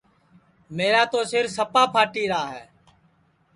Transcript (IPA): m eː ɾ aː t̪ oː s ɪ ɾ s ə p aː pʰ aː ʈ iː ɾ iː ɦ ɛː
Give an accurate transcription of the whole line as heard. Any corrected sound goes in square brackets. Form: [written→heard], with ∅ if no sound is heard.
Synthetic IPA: m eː ɾ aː t̪ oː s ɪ ɾ s ə p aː pʰ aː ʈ iː ɾ [iː→aː] ɦ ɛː